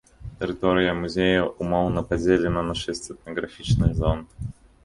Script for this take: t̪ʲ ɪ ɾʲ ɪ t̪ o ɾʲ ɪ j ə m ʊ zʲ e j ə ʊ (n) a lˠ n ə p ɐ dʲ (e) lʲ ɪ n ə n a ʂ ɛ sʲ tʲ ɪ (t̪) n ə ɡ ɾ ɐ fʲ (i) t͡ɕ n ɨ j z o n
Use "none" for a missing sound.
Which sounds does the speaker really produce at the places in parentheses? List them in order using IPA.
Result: m, e, t̪, i

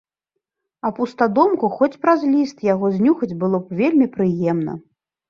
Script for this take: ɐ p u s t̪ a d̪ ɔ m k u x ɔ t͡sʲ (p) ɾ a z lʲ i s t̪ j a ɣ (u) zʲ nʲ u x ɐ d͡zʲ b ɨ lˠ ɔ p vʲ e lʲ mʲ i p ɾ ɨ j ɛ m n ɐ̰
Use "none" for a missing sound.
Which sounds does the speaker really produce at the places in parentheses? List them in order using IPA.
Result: p, ɔ

